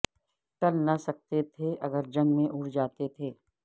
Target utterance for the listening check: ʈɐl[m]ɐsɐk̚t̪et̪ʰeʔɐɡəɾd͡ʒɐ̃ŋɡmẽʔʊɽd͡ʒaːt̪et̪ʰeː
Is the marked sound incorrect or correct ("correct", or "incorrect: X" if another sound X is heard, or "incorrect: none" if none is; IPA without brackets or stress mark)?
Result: incorrect: n